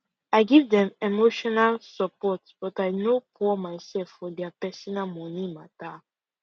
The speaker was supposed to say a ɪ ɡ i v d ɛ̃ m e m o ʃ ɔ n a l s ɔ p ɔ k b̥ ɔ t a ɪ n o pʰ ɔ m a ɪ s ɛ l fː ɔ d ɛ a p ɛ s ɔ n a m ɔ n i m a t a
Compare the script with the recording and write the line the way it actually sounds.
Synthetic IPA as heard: a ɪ ɡ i v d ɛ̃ m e m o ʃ ɔ n a l s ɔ p ɔ t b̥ ɔ t a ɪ n o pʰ ɔ m a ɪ s ɛ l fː ɔ d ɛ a p ɛ s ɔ n a m ɔ n i m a t a